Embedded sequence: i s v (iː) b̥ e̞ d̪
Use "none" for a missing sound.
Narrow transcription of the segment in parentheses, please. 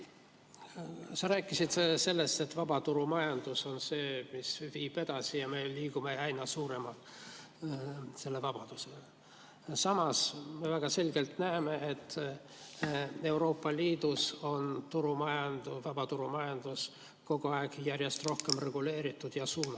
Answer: iː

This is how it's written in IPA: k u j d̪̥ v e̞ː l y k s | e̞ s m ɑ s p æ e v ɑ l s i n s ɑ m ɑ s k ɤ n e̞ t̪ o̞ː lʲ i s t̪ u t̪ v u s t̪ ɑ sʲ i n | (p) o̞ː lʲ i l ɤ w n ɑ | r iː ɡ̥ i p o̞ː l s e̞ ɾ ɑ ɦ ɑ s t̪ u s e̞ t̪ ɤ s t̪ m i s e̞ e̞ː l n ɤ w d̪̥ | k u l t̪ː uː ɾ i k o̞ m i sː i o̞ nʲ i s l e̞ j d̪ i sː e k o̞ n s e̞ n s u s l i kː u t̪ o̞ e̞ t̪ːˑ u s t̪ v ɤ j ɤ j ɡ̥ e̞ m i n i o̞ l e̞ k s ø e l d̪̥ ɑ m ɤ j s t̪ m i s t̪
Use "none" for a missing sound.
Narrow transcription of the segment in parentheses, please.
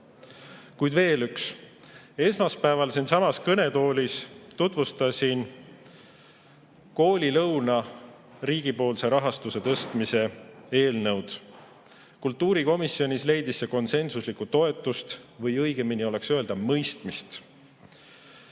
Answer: k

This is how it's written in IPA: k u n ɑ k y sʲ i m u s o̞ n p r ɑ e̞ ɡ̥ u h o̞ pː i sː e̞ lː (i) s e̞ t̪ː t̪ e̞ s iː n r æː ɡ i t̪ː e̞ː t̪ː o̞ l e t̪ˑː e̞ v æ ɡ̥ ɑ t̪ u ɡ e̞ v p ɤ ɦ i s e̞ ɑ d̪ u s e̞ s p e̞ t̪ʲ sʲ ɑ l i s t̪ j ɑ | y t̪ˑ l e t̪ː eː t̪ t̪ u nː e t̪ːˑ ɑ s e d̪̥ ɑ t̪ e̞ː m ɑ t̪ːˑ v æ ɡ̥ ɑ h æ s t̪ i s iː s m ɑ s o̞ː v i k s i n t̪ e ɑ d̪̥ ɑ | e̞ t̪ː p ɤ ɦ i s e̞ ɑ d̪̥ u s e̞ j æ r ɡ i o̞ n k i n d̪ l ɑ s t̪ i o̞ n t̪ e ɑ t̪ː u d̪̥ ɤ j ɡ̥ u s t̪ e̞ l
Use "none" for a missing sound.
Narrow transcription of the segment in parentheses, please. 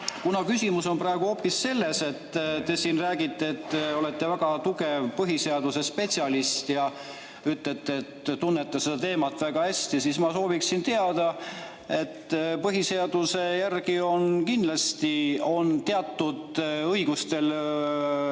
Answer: e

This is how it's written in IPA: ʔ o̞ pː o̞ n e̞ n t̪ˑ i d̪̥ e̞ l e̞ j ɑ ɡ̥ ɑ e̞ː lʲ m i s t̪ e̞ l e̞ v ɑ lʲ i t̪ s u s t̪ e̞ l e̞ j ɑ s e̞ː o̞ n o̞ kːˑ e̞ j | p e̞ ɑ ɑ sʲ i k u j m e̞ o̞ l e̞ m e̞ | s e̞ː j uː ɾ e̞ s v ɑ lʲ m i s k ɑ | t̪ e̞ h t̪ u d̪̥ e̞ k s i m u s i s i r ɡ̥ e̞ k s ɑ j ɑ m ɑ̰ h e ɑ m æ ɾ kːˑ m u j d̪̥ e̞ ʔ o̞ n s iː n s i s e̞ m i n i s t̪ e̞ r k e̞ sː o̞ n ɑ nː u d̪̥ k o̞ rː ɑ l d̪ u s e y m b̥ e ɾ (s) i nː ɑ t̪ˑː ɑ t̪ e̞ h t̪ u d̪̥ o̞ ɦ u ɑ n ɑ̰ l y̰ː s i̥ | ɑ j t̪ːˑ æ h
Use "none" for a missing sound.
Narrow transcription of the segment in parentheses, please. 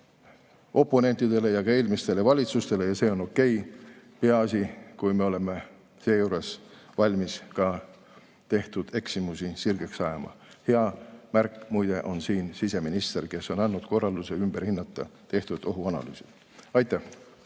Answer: h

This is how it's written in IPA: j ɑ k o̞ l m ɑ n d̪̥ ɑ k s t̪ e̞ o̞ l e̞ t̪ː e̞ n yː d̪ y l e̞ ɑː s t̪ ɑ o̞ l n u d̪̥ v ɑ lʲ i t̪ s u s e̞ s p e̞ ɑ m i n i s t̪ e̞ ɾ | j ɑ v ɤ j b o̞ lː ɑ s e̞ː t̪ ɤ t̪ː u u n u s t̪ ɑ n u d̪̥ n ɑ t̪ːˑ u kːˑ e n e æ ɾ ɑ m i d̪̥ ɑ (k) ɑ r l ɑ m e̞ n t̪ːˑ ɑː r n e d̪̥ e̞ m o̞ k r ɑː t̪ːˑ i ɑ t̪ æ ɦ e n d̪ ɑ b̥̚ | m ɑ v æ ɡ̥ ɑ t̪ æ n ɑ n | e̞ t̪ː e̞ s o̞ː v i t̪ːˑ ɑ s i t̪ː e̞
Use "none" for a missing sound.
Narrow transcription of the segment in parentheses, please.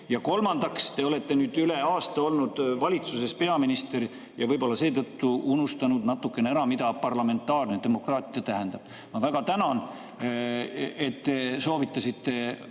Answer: p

